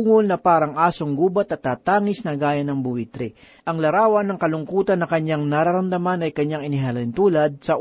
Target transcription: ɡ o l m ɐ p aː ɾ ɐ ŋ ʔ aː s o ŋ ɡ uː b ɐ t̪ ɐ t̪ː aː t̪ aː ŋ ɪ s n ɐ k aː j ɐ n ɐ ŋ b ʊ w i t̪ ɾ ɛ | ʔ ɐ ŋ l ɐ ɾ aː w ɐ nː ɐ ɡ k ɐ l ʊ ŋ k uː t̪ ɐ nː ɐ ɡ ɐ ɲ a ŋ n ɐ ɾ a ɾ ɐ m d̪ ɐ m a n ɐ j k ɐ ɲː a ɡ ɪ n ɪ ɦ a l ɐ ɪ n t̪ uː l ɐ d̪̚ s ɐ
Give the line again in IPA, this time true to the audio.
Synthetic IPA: ŋ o l n ɐ p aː ɾ ɐ ŋ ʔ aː s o ŋ ɡ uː b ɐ t̪ ɐ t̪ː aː t̪ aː ŋ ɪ s n ɐ ɡ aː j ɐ n ɐ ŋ b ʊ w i t̪ ɾ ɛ | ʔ ɐ ŋ l ɐ ɾ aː w ɐ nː ɐ ŋ k ɐ l ʊ ŋ k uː t̪ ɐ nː ɐ k ɐ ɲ a ŋ n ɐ ɾ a ɾ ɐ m d̪ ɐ m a n ɐ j k ɐ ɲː a ŋ ɪ n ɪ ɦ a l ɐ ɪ n t̪ uː l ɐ d̪̚ s ɐ